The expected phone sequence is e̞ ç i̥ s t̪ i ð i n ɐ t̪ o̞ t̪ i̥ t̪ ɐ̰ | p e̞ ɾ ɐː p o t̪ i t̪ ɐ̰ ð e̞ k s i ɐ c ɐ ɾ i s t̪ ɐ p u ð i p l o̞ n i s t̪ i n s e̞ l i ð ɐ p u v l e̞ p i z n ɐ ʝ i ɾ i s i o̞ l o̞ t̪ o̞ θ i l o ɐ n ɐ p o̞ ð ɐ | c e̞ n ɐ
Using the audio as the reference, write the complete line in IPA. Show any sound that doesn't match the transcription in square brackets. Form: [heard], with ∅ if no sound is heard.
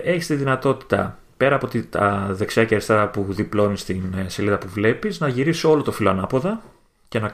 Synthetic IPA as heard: e̞ ç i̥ s t̪ i ð i n ɐ t̪ o̞ t̪ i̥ t̪ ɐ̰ | p e̞ ɾ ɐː p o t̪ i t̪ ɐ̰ ð e̞ k s i ɐ c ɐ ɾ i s t̪ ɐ p u ð i p l o̞ n i s t̪ i n s e̞ l i ð ɐ p u v l e̞ p i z n ɐ ʝ i ɾ i s i o̞ l o̞ t̪ o̞ [f] i l o ɐ n ɐ p o̞ ð ɐ | c e̞ n ɐ